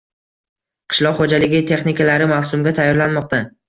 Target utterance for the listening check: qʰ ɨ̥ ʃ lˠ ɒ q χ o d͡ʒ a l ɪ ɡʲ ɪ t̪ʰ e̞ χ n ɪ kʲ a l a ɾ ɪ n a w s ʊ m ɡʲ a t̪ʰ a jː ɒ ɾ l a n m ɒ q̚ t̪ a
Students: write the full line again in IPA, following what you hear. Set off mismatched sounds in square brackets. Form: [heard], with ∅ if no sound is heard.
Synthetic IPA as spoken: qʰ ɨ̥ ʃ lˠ ɒ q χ o d͡ʒ a l ɪ ɡʲ ɪ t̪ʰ e̞ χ n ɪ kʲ a l a ɾ ɪ [m] a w s ʊ m ɡʲ a t̪ʰ a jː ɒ ɾ l a n m ɒ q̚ t̪ a